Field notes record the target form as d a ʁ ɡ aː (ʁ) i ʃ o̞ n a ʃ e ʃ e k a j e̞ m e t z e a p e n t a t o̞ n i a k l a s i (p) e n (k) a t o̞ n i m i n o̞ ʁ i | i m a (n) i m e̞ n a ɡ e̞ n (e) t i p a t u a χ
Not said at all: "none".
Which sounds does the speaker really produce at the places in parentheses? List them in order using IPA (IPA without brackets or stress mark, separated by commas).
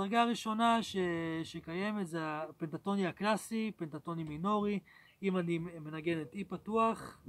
ʁ, p, t, n, e